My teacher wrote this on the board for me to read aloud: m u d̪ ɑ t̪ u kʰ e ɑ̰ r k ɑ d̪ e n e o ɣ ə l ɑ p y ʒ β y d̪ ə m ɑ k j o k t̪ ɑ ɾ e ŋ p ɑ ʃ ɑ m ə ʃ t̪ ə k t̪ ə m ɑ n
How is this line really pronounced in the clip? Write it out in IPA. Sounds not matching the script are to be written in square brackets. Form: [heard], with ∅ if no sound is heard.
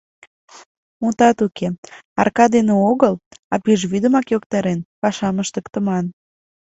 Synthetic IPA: m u [t̪] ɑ t̪ u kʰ e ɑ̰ r k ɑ d̪ e n e o ɣ ə l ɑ p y ʒ β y d̪ ə m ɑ k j o k t̪ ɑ ɾ e [n] p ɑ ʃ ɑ m ə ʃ t̪ ə k t̪ ə m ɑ n